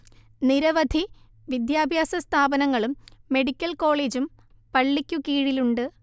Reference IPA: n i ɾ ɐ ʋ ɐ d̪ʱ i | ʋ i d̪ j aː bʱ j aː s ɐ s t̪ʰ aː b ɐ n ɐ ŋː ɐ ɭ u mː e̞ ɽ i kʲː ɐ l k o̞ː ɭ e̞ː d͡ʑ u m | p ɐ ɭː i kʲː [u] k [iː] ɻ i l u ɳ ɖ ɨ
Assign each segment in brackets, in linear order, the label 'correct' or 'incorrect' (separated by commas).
correct, correct